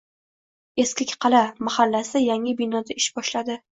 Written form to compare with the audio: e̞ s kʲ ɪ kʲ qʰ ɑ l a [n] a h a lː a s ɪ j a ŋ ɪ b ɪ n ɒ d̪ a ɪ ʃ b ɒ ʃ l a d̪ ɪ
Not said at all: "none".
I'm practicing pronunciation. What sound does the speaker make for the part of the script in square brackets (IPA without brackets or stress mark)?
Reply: m